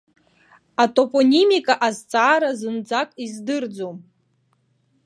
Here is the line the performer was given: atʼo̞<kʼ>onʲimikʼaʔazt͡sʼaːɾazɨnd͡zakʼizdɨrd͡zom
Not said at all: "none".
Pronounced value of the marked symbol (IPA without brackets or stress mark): pʼ